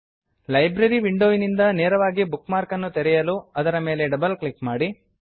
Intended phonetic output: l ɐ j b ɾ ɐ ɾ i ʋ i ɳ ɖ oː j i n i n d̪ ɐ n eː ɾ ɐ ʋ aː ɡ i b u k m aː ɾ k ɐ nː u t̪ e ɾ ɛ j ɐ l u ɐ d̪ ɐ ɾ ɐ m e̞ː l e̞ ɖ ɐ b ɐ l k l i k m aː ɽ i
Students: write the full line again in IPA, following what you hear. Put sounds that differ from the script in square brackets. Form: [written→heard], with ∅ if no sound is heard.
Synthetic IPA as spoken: l ɐ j b ɾ ɐ ɾ i ʋ i ɳ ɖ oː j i n i n d̪ ɐ n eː ɾ ɐ ʋ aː ɡ i b u k m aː ɾ k ɐ nː u t̪ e ɾ ɛ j ɐ l u ɐ d̪ ɐ ɾ ɐ m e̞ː l e̞ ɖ ɐ b ɐ l k l i k m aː ɽ i